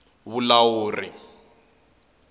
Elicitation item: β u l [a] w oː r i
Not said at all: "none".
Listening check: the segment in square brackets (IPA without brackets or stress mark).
a